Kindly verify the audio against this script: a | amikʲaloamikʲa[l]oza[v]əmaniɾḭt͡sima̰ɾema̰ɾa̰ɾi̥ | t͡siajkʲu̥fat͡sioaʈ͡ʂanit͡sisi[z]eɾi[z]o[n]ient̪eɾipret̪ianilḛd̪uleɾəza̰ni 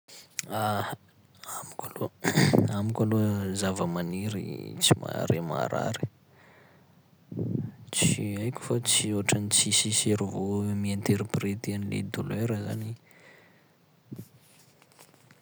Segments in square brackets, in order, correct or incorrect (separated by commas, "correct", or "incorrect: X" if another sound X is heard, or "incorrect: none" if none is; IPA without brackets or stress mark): correct, correct, incorrect: s, incorrect: v, incorrect: m